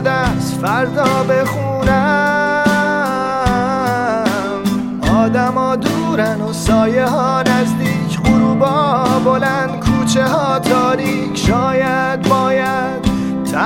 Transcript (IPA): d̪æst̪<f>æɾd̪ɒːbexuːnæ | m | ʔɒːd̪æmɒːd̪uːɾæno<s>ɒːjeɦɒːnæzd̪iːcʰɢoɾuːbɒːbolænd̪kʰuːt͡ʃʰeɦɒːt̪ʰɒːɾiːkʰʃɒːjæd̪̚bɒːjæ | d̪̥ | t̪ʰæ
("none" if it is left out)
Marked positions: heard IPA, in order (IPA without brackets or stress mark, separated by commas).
f, s